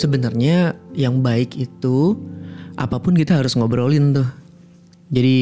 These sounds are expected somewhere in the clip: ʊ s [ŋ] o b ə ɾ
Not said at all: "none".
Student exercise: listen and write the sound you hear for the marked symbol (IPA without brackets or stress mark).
ŋ